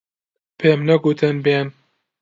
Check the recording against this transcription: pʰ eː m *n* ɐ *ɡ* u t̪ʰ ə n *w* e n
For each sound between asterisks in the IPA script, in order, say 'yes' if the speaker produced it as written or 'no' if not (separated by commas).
yes, yes, no